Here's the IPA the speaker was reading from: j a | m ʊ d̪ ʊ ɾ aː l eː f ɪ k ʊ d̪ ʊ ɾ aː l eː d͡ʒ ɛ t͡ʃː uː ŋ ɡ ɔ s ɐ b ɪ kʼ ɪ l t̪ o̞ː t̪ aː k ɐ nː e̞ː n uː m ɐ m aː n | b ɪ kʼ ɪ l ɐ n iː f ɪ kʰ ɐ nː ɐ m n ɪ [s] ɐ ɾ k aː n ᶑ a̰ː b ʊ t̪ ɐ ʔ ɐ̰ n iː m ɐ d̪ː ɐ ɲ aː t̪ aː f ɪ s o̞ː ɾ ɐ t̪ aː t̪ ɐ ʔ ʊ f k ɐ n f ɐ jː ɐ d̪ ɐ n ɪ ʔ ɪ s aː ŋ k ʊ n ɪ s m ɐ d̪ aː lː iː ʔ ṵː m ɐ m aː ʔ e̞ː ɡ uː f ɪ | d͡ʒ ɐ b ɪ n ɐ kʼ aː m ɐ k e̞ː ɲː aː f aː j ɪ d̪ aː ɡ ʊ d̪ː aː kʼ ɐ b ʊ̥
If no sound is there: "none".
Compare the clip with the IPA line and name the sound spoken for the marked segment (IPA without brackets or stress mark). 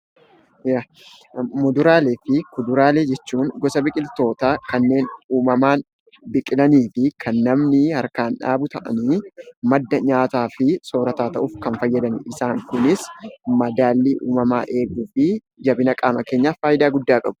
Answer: h